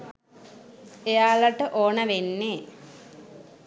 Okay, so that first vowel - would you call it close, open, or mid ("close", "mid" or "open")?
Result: mid